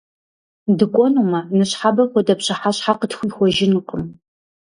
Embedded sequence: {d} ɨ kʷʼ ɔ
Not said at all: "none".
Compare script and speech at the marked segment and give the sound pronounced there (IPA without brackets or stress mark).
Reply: d